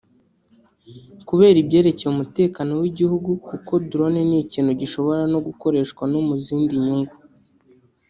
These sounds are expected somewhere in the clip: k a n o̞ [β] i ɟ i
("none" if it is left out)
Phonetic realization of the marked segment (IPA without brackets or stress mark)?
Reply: w